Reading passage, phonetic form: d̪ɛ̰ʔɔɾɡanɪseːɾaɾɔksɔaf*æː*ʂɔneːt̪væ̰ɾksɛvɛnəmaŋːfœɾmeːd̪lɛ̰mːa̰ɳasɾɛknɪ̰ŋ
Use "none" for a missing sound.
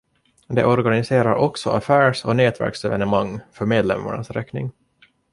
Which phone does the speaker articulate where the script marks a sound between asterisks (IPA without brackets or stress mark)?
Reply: æː